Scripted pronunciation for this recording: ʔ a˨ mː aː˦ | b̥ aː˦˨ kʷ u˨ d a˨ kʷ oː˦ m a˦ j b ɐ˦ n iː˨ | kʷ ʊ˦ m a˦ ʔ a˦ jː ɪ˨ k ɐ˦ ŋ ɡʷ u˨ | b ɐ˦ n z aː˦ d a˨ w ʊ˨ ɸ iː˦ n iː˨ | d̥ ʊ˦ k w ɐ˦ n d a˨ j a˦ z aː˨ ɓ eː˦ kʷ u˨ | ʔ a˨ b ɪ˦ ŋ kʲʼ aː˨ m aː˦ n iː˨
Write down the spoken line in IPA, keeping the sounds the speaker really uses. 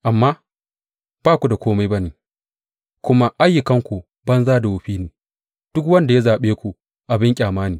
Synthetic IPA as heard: ʔ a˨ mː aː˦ | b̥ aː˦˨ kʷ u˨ d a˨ kʷ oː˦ m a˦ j b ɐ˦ n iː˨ | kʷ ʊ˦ m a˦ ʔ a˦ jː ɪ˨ k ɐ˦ ŋ kʷ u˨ | b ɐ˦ n z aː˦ d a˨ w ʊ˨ ɸ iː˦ n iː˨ | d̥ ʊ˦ k w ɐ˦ n d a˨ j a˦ z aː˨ ɓ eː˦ kʷ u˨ | ʔ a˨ b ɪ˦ ŋ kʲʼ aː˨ m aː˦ n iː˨